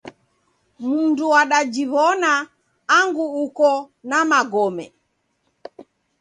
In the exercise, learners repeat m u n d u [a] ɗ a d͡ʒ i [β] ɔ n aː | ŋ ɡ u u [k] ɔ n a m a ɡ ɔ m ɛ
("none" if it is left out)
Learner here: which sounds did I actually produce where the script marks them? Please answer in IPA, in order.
a, β, k

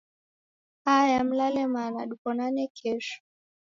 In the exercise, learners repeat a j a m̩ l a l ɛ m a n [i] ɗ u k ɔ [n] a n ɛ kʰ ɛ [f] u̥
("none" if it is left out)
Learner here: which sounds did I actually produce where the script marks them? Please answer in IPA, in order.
a, n, ʃ

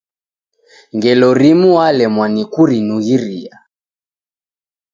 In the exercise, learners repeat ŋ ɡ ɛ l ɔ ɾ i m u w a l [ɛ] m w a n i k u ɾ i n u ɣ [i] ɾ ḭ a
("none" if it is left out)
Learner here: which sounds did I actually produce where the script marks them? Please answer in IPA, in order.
ɛ, i

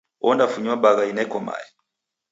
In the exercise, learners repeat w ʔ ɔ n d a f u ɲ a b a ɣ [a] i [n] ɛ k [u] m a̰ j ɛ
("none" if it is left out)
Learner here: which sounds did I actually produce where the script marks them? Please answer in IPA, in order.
a, n, ɔ

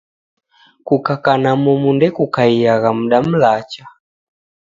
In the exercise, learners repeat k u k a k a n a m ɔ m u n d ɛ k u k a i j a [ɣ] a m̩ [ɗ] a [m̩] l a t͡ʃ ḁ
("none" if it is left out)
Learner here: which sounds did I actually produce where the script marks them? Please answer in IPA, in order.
ɣ, ɗ, m̩

